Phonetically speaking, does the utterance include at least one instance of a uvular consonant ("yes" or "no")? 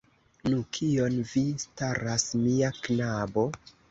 no